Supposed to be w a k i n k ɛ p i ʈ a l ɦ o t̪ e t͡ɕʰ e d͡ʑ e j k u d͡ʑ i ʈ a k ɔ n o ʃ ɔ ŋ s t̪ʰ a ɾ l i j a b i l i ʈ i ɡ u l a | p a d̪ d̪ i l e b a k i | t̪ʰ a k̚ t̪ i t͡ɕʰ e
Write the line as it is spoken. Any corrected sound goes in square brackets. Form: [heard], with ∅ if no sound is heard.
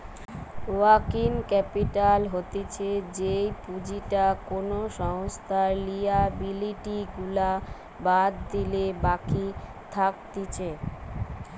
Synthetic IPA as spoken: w a k i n k ɛ p i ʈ a l ɦ o t̪ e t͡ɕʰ e d͡ʑ e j [p] u d͡ʑ i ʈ a k [o] n o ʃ ɔ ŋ s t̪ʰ a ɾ l i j a b i l i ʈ i ɡ u l a | [b] a d̪ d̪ i l e b a k i | t̪ʰ a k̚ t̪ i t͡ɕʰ e

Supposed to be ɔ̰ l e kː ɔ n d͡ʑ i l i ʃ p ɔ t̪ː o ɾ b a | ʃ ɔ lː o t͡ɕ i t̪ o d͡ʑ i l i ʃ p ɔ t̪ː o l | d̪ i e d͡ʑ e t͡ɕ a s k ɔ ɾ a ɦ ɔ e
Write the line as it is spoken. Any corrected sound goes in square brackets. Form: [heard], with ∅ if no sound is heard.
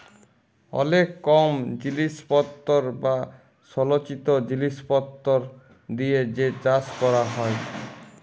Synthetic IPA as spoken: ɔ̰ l e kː ɔ [m] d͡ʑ i l i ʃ p ɔ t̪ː o ɾ b a | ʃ ɔ [l] o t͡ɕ i t̪ o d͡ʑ i l i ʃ p ɔ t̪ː o [ɾ] | d̪ i e d͡ʑ e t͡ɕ a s k ɔ ɾ a ɦ ɔ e

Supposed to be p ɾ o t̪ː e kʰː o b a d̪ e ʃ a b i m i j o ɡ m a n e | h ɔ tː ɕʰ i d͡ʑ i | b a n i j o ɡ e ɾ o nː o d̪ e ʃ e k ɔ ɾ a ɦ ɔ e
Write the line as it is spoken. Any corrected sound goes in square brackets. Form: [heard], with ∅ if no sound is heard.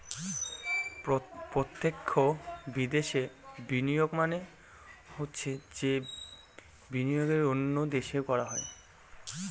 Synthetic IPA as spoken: p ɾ o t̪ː e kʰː o b [i] d̪ e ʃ [e] b i [n] i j o ɡ m a n e | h [o] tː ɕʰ [e] d͡ʑ [e] | b [i] n i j o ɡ e ɾ o nː o d̪ e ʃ e k ɔ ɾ a ɦ ɔ e

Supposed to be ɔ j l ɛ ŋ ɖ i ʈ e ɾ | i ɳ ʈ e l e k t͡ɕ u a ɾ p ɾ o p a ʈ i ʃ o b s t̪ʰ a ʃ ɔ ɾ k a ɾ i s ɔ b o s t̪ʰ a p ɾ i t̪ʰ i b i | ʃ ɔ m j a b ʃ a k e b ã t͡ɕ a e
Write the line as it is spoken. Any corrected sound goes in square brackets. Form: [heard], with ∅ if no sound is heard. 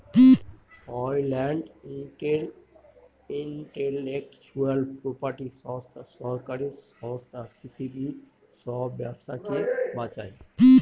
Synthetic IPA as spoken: ɔ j l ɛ [ɳ] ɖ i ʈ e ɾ | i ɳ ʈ e l e k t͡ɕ u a [l] p ɾ o p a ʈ i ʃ [ɔ] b s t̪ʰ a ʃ ɔ ɾ k a ɾ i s ɔ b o s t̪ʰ a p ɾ i t̪ʰ i b i | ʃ ɔ [b] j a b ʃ a k e b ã t͡ɕ a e

